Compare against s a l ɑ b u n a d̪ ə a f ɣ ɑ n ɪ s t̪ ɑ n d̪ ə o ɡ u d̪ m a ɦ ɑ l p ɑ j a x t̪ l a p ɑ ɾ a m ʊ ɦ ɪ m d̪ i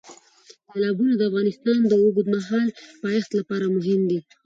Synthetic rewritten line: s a l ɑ b u n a d̪ ə a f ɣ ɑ n ɪ s t̪ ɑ n d̪ ə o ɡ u d̪ m a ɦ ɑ l p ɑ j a x t̪ l a p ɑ ɾ a m ʊ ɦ ɪ m d̪ i